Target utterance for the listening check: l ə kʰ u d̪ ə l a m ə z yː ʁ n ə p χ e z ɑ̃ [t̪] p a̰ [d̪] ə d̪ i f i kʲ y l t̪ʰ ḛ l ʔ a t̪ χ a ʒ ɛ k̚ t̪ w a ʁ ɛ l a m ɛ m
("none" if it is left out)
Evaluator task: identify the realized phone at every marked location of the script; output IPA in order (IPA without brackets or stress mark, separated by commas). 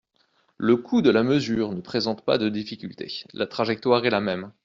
t̪, d̪